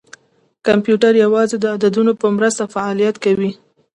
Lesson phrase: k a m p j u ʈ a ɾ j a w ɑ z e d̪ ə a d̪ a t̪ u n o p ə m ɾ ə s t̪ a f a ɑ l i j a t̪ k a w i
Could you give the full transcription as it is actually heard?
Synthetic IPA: k a m p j u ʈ a ɾ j a w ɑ z e d̪ ə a d̪ a d̪ u n o p ə m ɾ ə s t̪ a f a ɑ l i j a t̪ k a w i